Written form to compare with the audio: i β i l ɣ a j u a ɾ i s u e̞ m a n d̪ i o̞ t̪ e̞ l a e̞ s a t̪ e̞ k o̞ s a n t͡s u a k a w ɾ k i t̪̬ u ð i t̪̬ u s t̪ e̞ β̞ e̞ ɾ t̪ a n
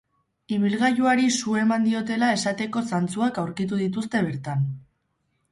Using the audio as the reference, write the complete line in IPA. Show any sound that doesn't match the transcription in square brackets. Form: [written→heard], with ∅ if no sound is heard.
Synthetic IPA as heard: i β i l ɣ a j u a ɾ i s u e̞ m a n d̪ i o̞ t̪ e̞ l a e̞ s a t̪ e̞ k o̞ s a n t͡s u a k a w ɾ k i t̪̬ u ð i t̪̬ u s t̪ e̞ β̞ e̞ ɾ t̪ a n